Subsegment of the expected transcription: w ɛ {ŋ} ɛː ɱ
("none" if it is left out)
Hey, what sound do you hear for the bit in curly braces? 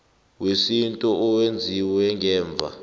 ŋ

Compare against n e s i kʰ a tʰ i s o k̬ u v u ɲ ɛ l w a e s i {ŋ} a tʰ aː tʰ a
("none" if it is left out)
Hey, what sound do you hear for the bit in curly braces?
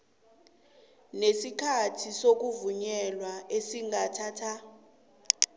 ŋ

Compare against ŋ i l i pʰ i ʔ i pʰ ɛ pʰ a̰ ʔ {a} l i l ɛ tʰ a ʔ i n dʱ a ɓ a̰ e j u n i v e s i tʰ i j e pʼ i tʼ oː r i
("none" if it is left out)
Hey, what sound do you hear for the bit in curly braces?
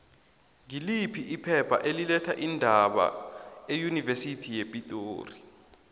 e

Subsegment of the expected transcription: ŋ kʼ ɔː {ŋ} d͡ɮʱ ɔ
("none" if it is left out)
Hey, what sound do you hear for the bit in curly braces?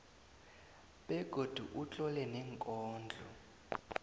n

